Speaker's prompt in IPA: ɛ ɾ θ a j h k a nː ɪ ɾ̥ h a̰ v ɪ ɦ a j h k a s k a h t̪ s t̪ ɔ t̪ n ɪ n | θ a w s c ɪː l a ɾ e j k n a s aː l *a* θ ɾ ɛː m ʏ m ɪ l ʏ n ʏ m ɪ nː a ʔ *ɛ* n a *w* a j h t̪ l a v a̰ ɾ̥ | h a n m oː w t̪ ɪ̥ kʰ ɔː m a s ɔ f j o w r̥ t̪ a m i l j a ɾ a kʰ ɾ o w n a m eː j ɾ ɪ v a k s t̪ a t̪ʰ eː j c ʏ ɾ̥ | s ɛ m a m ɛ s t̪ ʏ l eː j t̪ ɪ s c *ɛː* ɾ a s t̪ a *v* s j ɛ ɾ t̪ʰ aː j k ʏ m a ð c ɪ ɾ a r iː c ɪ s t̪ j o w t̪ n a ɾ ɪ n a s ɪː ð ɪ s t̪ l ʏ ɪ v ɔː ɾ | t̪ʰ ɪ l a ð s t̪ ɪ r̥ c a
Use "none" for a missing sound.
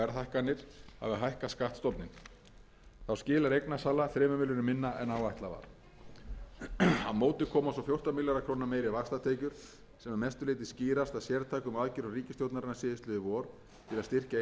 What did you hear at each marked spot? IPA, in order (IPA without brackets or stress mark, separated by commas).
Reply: a, ɛ, w, iː, ð